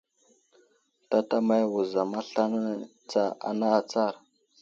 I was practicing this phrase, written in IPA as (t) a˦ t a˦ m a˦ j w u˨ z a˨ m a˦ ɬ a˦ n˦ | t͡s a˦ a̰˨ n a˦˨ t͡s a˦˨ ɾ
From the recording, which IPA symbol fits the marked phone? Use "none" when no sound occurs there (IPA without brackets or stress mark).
t